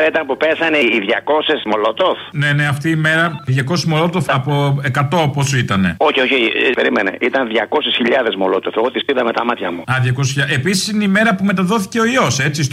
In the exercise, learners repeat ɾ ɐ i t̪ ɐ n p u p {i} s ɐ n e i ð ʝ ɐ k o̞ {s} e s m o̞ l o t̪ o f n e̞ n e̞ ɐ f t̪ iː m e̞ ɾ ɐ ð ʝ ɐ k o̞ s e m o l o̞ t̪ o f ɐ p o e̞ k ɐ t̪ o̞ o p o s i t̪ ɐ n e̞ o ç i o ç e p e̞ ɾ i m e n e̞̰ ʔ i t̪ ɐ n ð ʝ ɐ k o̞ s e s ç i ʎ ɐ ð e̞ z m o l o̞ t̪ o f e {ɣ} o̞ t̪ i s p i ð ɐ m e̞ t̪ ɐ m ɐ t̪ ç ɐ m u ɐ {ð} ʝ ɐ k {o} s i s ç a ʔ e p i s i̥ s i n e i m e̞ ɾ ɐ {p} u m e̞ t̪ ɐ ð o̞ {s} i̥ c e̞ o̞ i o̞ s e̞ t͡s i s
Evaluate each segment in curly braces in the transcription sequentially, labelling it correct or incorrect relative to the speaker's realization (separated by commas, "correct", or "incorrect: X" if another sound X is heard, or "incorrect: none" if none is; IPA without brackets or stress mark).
incorrect: e, correct, correct, correct, correct, correct, incorrect: θ